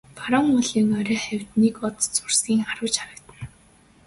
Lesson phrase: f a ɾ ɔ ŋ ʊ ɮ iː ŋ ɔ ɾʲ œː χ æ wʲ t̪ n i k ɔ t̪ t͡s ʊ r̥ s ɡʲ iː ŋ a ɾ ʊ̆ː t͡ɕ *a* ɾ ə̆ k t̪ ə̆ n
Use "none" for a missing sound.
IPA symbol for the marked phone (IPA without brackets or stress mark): a